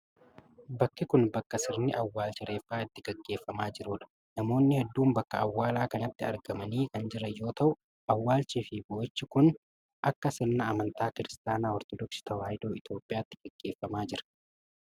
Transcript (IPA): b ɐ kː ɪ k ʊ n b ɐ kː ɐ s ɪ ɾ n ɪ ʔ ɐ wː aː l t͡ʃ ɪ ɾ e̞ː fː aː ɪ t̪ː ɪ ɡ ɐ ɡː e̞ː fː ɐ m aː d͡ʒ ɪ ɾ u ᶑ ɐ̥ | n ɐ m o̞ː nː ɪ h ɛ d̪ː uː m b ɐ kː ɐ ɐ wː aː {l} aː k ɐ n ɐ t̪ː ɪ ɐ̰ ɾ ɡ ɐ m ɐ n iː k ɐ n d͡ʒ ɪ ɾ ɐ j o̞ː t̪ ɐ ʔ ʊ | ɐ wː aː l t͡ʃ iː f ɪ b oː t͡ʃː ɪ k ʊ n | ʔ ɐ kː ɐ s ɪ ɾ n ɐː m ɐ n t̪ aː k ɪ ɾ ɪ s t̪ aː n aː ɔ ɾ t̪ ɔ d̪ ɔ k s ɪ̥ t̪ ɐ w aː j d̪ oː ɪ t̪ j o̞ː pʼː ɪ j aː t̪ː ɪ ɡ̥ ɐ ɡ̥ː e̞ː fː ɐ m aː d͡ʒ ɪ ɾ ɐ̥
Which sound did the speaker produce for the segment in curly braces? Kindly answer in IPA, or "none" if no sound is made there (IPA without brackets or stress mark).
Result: l